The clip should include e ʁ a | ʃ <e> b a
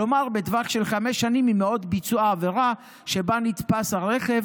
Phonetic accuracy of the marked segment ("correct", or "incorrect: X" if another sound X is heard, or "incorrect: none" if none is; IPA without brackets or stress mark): correct